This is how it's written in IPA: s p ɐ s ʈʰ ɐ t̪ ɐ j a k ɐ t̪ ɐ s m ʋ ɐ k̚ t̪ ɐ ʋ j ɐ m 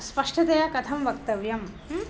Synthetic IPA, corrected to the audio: s p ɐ ʂ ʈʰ ɐ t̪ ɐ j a k ɐ t̪ʰ ɐ m ʋ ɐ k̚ t̪ ɐ ʋ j ɐ m